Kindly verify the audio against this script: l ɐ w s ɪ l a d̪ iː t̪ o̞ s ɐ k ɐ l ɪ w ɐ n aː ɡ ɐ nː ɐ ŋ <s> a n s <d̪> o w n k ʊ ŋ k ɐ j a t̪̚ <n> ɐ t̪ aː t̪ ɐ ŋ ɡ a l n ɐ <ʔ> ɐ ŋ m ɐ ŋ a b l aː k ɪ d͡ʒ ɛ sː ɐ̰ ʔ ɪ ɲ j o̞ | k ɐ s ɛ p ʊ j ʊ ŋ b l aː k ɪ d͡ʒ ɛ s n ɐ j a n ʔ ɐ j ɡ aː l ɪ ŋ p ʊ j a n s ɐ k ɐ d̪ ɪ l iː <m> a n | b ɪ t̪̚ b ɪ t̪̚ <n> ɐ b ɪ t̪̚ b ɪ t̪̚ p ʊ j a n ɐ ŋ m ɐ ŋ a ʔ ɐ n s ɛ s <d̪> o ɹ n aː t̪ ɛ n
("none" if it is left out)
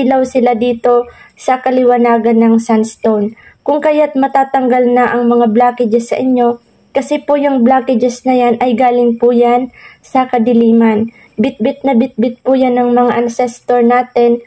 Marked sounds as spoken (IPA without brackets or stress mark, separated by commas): s, t̪, m, ʔ, m, n, t̪